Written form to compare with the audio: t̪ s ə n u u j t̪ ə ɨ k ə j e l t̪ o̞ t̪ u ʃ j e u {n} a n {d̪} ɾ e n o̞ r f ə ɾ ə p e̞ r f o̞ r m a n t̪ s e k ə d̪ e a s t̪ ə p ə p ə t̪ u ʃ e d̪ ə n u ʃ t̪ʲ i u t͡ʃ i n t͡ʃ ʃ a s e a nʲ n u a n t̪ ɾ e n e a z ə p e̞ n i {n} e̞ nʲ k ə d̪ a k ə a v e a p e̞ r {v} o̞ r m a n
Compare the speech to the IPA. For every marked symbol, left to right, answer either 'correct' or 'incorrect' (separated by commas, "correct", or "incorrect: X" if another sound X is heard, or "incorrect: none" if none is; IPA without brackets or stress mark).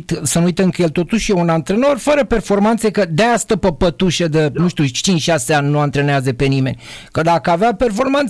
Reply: correct, incorrect: t̪, incorrect: m, incorrect: f